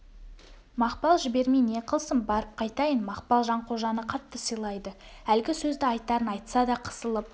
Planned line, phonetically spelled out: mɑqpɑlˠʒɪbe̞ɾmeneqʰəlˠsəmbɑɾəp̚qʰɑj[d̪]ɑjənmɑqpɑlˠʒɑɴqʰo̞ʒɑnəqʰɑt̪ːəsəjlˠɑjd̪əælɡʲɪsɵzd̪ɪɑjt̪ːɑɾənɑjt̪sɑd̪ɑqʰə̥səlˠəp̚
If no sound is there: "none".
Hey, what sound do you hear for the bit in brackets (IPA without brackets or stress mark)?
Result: t̪